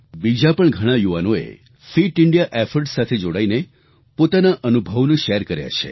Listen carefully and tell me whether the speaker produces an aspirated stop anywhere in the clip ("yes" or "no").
yes